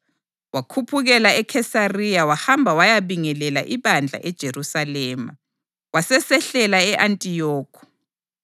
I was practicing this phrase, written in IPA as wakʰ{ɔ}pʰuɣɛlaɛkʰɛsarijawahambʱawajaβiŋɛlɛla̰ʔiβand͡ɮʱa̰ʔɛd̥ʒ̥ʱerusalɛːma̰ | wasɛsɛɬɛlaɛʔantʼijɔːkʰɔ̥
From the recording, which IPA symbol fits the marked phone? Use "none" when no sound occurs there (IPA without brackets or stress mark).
u